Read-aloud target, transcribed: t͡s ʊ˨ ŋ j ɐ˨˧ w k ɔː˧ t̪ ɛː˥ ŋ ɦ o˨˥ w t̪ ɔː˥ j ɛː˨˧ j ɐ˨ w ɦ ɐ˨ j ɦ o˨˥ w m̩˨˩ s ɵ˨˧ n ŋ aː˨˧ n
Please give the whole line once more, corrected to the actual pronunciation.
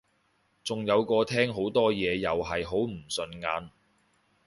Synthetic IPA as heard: t͡s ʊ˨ ŋ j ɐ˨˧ w k ɔː˧ t̪ʰ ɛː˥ ŋ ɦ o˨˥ w t̪ ɔː˥ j ɛː˨˧ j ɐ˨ w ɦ ɐ˨ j ɦ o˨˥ w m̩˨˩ s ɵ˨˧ n ŋ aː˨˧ n